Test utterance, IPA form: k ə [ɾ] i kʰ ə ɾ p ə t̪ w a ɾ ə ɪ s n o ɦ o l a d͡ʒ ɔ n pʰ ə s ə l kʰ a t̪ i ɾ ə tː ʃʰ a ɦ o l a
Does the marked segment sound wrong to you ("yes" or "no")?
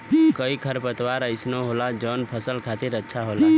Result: yes